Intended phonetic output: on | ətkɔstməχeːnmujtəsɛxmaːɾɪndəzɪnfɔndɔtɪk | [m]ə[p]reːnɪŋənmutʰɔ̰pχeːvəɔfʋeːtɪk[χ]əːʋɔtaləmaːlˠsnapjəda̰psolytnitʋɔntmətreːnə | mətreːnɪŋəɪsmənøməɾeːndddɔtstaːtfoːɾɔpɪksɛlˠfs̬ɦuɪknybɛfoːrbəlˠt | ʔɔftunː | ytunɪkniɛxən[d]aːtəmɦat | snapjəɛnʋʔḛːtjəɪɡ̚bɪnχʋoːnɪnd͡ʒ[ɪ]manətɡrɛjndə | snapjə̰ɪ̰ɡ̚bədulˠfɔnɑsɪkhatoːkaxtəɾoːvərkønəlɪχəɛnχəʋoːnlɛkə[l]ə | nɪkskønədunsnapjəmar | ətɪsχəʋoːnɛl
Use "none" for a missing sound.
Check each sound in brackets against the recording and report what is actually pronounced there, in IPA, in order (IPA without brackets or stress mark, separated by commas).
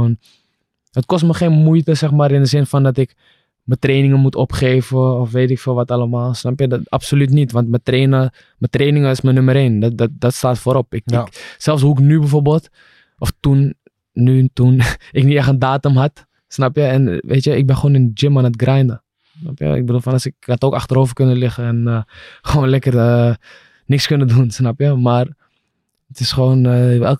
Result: m, t, f, d, ɪ, r